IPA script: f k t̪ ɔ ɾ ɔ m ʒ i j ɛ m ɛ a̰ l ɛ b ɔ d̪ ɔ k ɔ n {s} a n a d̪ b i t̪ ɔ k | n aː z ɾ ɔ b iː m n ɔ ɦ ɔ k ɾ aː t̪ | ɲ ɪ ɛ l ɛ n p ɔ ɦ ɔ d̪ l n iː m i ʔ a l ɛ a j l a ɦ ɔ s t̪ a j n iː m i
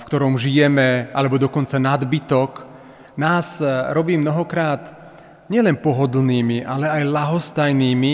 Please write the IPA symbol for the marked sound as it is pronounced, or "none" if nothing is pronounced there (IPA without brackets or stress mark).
t͡s